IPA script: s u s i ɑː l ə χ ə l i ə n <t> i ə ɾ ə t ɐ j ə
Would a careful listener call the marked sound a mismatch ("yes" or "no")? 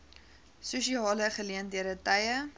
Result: yes